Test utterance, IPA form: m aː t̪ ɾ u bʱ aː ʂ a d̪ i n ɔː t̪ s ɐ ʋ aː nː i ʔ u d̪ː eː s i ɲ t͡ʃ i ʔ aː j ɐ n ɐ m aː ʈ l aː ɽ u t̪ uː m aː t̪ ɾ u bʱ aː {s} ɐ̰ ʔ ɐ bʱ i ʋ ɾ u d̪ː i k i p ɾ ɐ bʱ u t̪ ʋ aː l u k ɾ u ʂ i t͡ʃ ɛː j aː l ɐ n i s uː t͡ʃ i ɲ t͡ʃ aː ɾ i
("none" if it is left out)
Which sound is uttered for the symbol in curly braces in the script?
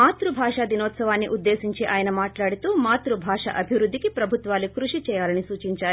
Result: ʂ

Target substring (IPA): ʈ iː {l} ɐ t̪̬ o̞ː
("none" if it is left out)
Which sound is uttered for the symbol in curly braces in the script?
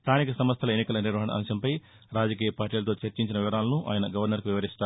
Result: l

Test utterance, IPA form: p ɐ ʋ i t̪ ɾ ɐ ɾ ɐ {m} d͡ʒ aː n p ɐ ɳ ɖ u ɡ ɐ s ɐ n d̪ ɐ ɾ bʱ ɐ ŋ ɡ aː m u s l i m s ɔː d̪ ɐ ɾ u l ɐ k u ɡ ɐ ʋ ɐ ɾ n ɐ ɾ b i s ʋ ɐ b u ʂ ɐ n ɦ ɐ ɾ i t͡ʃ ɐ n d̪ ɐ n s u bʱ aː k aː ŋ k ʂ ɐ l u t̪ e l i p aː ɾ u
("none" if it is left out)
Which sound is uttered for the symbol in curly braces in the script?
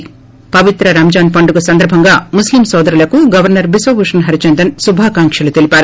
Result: m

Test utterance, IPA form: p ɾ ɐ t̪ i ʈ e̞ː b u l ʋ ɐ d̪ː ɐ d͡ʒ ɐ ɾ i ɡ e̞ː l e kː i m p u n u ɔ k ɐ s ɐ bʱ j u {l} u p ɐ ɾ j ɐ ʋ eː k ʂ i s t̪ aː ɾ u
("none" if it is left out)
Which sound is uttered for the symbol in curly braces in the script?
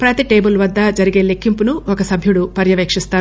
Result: ɽ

